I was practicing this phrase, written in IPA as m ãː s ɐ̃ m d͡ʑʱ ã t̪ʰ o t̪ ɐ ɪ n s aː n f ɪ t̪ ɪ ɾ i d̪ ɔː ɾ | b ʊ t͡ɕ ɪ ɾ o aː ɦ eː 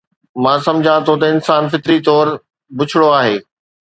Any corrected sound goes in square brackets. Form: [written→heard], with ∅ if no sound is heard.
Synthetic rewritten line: m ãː s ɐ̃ m d͡ʑʱ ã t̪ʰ o t̪ ɐ ɪ n s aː n f ɪ t̪ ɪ ɾ i [d̪→t̪] ɔː ɾ | b ʊ [t͡ɕ→t͡ɕʰ] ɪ [ɾ→ɽ] o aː ɦ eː